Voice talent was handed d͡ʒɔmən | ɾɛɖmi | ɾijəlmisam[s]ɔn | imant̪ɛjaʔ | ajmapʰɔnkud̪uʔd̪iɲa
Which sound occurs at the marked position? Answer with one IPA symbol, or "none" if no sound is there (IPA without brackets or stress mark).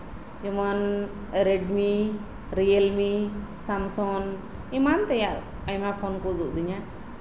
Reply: s